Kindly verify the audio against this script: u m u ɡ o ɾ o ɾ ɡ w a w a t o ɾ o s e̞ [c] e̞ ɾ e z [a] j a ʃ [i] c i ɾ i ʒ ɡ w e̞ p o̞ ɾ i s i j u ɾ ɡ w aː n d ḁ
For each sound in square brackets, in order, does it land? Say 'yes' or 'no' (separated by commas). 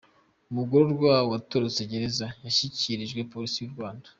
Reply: no, yes, yes